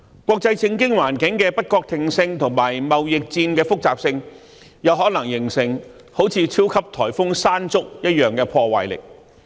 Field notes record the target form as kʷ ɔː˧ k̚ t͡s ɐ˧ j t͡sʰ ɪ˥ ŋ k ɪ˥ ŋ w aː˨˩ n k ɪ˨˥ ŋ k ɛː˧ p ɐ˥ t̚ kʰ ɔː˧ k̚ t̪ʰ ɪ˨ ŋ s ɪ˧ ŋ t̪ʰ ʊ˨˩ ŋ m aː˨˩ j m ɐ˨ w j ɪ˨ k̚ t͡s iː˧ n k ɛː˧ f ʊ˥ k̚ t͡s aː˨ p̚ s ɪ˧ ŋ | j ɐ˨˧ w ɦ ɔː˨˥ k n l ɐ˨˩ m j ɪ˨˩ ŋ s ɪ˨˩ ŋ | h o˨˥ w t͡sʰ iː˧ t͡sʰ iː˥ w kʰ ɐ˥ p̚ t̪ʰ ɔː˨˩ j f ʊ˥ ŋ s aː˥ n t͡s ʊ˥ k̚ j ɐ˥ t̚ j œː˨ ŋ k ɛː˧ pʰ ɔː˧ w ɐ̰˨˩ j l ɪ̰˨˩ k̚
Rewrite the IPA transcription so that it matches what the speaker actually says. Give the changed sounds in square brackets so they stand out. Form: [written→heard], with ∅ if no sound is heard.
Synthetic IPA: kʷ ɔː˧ k̚ t͡s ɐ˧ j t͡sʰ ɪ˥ ŋ k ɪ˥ ŋ w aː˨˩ n k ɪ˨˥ ŋ k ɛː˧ p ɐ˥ t̚ [kʰ→k] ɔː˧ k̚ t̪ʰ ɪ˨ ŋ s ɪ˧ ŋ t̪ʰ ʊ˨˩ ŋ m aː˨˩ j m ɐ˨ w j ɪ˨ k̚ t͡s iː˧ n k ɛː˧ f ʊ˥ k̚ t͡s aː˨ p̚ s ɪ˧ ŋ | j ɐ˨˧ w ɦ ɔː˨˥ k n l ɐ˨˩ [m→ŋ] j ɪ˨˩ ŋ s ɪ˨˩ ŋ | h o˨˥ w t͡sʰ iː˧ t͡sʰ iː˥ w kʰ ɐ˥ p̚ t̪ʰ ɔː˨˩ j f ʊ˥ ŋ s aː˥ n t͡s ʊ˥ k̚ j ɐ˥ t̚ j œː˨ ŋ k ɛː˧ pʰ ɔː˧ w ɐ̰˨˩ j l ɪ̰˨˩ k̚